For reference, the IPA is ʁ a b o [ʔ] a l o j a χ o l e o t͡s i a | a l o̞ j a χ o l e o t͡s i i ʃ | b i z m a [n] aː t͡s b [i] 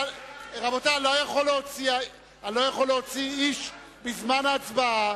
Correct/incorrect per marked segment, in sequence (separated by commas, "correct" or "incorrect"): incorrect, correct, incorrect